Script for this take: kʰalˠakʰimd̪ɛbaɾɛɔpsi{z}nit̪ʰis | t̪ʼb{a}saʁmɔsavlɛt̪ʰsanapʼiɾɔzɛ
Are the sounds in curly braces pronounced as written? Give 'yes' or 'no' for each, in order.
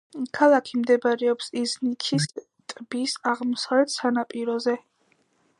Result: yes, no

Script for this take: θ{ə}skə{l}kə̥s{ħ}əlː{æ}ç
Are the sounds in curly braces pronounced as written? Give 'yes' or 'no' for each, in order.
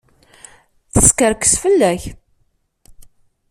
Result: yes, no, no, yes

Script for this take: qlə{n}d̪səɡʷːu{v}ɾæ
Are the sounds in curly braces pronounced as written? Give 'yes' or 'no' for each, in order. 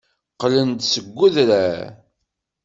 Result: yes, no

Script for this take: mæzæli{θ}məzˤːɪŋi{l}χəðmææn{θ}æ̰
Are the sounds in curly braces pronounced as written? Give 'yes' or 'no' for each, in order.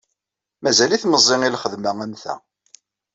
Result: yes, yes, yes

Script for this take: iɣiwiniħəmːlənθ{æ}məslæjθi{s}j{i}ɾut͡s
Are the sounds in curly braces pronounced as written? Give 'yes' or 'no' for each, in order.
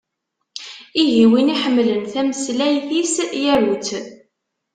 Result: yes, yes, no

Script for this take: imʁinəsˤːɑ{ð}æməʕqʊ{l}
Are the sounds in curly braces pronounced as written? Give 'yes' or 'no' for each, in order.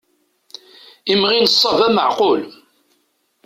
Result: no, yes

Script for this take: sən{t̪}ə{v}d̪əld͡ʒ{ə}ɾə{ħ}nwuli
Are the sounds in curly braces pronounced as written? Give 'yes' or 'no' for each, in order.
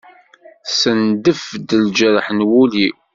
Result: no, no, yes, yes

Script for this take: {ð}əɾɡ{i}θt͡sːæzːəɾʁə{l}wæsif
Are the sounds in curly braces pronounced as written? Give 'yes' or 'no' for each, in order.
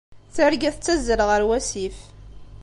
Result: no, no, no

